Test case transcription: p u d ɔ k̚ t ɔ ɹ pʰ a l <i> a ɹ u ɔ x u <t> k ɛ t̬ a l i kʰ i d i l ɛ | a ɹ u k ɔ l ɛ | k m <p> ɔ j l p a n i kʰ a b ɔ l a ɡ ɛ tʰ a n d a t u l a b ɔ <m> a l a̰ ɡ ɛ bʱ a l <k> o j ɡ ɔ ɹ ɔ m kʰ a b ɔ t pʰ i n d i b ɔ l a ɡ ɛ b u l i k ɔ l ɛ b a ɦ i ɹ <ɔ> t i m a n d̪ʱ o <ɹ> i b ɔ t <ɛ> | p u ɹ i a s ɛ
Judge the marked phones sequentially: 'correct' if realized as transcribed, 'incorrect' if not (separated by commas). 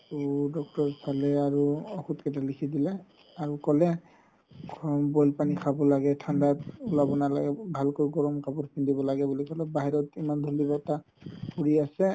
incorrect, correct, incorrect, incorrect, correct, correct, incorrect, incorrect